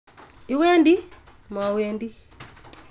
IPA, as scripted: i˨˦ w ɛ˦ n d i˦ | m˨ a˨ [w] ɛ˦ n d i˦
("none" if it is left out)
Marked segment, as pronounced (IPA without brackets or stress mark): w